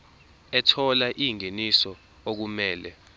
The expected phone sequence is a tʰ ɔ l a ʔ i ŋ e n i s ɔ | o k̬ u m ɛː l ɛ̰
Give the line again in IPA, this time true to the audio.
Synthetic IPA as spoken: ɛ tʰ ɔ l a ʔ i ŋ e n i s ɔ | o k̬ u m ɛː l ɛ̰